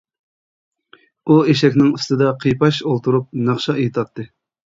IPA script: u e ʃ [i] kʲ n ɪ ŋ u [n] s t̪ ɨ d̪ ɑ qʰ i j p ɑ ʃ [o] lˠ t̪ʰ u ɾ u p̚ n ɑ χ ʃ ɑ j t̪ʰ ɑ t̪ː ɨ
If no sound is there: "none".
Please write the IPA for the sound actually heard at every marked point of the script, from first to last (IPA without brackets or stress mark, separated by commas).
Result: ɛ, none, o